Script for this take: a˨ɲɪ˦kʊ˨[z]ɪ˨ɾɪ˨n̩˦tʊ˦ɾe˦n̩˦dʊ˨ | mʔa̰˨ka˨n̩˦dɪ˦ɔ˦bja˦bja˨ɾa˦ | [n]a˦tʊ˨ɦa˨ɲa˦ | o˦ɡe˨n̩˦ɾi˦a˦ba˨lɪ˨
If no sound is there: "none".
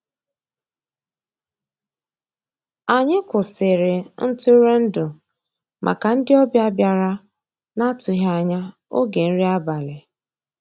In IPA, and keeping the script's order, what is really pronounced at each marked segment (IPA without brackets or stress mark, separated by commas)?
s, n